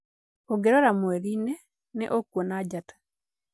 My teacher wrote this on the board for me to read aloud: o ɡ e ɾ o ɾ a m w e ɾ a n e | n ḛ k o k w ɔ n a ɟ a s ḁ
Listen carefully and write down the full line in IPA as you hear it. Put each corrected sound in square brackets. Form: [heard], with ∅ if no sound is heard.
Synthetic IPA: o ɡ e ɾ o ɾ a m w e ɾ [i] n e | n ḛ [ʔ] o k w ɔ n a ɟ a [t] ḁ